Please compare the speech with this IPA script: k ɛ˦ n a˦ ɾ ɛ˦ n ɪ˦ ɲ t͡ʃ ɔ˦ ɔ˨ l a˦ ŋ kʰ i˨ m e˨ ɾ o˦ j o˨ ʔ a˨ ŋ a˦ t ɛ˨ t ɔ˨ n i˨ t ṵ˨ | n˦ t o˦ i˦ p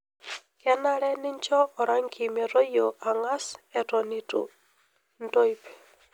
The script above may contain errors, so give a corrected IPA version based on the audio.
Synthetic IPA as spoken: k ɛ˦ n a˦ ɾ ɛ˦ n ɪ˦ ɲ t͡ʃ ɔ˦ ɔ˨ ɾ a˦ ŋ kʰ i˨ m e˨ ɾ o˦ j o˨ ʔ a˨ ŋ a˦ s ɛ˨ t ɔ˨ n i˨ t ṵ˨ | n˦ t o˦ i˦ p